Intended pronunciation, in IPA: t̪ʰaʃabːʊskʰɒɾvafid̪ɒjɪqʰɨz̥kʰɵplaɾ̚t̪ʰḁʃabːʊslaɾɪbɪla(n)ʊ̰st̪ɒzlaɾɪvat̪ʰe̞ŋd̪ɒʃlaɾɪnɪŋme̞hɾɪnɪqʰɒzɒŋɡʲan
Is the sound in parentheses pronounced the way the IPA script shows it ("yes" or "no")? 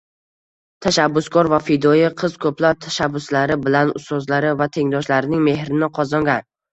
yes